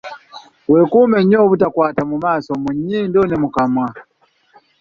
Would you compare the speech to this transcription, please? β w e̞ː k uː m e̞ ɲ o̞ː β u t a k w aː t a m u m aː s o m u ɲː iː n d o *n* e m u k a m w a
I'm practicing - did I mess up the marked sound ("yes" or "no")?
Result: no